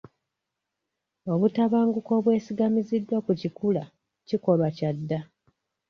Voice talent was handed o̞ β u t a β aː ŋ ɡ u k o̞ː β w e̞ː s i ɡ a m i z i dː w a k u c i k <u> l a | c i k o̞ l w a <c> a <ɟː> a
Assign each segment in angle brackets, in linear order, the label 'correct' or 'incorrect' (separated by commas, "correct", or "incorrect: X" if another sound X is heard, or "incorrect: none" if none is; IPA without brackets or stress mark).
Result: correct, correct, incorrect: dː